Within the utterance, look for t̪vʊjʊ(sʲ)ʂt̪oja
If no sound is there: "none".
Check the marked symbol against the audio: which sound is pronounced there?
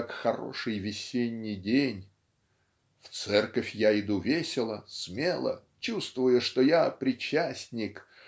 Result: none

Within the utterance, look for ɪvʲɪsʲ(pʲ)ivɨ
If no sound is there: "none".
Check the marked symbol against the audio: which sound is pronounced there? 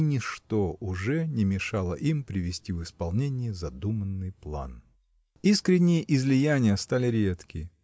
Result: tʲ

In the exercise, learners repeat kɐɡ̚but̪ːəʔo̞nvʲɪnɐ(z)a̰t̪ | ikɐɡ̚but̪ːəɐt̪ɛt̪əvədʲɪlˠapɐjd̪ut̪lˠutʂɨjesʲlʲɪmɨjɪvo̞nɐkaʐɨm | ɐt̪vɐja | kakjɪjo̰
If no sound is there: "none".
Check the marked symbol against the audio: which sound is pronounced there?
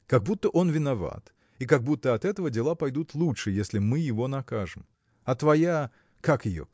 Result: v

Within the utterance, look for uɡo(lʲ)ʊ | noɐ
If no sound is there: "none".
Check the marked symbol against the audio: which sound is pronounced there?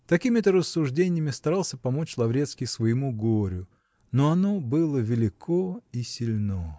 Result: ɾʲ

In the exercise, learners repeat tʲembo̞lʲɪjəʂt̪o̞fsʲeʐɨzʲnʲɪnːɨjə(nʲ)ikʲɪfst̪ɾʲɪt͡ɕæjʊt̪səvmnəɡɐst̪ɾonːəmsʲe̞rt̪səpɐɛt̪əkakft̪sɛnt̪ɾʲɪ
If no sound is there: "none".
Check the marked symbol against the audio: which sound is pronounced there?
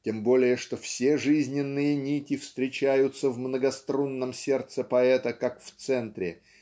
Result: nʲ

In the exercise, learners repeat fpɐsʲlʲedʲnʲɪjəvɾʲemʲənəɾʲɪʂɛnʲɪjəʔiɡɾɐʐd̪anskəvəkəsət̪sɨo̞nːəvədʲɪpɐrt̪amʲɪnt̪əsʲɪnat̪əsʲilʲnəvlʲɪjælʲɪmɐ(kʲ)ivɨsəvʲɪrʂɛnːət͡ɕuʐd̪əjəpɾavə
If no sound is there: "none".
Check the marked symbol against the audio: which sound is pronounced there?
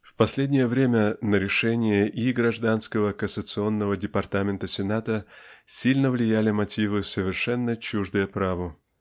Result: tʲ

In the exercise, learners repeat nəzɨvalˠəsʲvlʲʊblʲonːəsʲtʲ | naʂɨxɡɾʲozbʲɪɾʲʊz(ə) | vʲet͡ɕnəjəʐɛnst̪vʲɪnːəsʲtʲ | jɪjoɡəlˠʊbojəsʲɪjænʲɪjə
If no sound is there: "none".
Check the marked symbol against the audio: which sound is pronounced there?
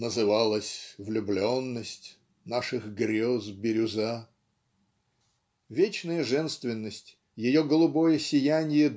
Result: a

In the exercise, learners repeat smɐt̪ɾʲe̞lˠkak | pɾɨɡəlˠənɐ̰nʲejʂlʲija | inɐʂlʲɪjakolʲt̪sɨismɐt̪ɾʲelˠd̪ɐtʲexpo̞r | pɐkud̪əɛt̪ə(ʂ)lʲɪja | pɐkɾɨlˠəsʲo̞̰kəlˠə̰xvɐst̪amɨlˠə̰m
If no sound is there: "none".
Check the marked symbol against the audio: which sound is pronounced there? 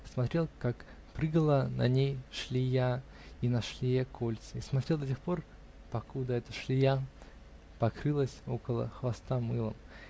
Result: ʂ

